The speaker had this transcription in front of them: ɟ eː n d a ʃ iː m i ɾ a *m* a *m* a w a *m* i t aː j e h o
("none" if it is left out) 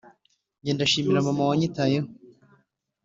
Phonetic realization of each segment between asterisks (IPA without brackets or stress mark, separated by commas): m, m, ɲ